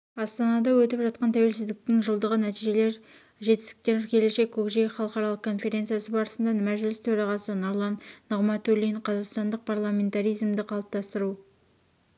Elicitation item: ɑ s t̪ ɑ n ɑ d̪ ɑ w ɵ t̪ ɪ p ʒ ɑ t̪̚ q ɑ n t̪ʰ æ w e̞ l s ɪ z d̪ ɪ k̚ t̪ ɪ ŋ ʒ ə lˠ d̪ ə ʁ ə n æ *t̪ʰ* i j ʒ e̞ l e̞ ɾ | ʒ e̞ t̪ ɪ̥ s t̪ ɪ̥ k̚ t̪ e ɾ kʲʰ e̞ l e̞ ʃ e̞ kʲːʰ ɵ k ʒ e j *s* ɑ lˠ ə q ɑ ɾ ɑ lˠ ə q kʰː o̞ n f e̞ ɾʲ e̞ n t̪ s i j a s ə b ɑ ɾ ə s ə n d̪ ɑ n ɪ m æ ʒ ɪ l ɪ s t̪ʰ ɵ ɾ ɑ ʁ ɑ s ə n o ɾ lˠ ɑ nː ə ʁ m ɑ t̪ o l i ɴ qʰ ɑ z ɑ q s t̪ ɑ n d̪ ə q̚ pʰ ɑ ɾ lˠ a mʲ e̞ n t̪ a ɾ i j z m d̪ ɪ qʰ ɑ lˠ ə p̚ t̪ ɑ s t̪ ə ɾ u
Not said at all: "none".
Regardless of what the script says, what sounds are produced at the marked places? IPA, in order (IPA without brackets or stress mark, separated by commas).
t̪, χ